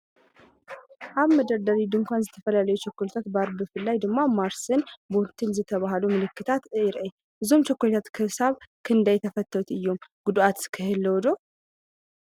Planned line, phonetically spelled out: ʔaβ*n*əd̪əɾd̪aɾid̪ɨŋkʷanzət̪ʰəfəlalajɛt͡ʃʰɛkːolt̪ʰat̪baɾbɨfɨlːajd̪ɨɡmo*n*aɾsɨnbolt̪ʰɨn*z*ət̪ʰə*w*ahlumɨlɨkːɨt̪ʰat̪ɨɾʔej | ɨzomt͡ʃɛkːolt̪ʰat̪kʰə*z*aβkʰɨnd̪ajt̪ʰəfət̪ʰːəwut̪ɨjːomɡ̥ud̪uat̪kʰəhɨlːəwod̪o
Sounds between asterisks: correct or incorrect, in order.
incorrect: m, incorrect: m, correct, incorrect: β, incorrect: s

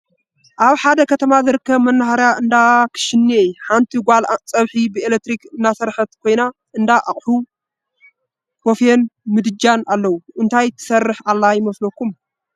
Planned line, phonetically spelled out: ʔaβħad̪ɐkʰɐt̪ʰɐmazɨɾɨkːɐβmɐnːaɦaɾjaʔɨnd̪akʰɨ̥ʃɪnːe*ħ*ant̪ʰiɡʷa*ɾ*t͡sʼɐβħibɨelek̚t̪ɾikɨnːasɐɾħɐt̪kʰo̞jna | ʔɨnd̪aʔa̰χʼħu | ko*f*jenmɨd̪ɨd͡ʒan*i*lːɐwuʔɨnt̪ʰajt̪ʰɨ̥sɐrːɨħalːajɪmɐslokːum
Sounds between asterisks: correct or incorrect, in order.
correct, incorrect: l, correct, incorrect: a

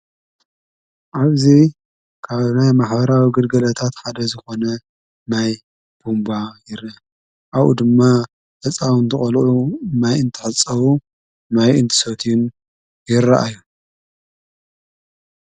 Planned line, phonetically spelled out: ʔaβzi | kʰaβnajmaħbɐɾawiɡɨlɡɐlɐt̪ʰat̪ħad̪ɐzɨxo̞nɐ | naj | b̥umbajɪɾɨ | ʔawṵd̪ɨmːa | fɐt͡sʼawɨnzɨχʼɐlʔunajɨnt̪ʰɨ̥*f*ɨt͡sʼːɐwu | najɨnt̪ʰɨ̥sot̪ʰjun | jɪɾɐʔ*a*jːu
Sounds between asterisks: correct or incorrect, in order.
incorrect: ħ, correct

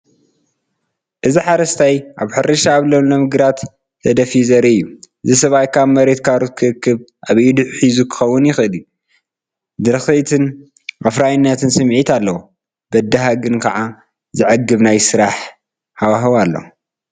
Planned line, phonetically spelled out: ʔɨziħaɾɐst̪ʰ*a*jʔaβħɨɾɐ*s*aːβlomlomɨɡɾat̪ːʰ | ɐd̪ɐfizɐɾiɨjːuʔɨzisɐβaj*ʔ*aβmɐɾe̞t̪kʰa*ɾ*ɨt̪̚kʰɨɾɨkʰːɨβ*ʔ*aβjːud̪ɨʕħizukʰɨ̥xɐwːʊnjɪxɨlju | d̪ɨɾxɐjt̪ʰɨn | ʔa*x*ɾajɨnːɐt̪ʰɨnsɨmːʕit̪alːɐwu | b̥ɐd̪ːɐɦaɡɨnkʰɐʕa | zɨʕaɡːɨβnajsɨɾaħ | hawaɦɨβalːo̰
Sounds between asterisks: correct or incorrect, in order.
correct, incorrect: ʃ, incorrect: k, correct, correct, incorrect: f

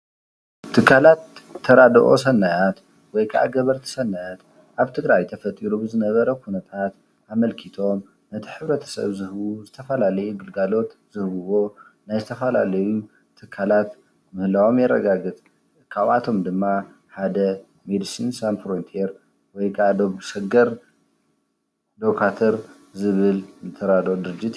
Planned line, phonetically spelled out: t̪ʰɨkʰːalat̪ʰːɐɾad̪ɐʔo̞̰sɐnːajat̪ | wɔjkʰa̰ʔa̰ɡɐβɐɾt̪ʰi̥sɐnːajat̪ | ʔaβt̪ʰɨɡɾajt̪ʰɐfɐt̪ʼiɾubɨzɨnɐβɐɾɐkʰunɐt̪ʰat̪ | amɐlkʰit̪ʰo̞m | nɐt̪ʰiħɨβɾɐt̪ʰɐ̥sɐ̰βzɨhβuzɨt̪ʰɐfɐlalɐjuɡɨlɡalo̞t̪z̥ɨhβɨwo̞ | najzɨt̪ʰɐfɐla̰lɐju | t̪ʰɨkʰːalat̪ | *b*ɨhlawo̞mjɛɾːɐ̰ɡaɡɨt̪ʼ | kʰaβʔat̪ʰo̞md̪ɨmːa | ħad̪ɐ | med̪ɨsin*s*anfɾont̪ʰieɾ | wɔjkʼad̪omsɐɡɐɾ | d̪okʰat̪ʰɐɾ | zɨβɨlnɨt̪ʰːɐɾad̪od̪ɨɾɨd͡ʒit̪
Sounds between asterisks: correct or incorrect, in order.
incorrect: m, correct

